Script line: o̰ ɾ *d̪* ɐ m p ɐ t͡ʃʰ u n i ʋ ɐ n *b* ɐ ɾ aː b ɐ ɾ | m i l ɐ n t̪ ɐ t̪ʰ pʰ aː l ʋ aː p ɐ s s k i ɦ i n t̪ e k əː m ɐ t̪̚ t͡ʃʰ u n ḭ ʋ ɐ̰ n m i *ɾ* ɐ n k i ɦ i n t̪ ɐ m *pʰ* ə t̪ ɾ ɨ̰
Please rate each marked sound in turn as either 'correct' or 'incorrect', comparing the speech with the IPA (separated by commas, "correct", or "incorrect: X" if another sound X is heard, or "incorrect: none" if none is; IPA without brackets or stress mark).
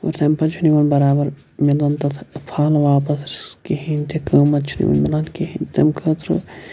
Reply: incorrect: t̪, correct, incorrect: l, incorrect: kʰ